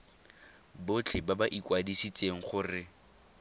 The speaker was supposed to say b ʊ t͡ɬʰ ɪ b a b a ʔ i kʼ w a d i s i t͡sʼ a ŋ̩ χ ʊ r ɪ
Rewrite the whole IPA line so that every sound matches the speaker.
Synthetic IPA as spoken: b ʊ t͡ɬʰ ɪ b a b a ʔ i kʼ w a d i s i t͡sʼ e ŋ̩ χ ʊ r ɪ